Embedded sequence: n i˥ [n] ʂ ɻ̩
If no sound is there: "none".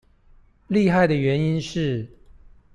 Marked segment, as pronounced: n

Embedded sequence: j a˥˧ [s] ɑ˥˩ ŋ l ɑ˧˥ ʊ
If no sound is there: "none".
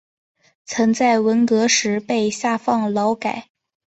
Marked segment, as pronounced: f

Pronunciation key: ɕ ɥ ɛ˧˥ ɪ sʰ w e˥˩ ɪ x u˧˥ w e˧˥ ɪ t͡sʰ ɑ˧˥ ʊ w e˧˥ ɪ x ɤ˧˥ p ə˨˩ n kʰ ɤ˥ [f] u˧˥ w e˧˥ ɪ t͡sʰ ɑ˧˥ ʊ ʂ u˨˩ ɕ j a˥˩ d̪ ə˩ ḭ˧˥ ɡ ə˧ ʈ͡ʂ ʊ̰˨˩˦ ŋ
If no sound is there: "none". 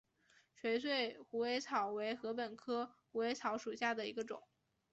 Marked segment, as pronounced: x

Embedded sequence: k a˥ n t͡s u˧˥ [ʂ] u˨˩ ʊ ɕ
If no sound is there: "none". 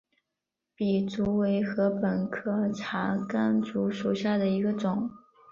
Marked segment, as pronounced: ʂ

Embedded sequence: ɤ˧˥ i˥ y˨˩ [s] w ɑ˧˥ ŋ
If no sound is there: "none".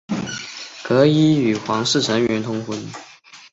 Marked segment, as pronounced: x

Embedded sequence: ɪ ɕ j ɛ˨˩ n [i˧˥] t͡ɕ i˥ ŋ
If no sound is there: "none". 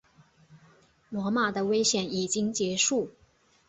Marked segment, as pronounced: i˨˩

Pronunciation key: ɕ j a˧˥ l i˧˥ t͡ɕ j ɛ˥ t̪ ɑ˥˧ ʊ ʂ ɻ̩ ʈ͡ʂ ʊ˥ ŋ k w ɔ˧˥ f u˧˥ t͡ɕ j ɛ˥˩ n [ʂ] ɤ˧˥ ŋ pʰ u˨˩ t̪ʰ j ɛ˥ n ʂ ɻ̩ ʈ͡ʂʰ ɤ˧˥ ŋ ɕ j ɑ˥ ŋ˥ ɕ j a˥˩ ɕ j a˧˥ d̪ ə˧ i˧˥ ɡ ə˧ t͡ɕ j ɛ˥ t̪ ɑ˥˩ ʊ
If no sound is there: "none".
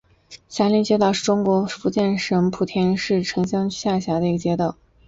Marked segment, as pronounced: ʂ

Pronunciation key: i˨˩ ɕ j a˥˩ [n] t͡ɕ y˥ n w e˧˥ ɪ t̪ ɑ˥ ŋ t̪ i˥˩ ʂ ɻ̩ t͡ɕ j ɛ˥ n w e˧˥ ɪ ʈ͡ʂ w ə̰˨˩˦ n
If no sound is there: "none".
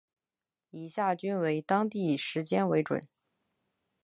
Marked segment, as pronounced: none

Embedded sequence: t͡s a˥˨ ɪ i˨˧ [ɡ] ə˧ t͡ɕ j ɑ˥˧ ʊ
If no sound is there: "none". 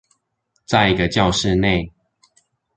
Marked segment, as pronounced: ɡ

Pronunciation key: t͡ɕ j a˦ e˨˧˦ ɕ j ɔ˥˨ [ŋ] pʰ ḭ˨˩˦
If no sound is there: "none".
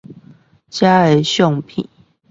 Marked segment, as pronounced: ŋ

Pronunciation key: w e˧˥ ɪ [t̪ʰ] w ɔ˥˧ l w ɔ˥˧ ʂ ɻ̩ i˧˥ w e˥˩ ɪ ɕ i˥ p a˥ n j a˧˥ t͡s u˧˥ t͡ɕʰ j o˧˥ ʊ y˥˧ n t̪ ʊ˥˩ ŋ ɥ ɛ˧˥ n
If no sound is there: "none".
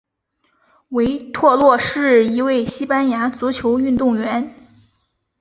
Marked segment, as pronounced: t̪ʰ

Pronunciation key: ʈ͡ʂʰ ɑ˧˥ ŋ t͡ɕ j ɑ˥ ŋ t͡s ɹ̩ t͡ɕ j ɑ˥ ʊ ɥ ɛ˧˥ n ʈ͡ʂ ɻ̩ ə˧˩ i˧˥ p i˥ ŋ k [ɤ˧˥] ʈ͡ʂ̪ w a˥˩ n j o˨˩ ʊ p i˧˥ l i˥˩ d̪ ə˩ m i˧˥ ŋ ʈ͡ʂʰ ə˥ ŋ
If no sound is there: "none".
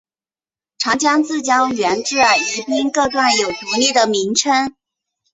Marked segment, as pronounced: ɤ˥˧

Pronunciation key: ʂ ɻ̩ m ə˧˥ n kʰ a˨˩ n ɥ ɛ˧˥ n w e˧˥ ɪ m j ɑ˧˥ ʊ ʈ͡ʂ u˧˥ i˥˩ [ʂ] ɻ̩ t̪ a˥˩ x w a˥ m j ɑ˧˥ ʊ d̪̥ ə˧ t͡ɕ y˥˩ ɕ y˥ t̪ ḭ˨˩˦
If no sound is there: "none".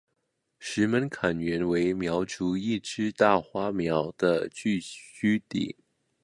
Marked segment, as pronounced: ʈ͡ʂ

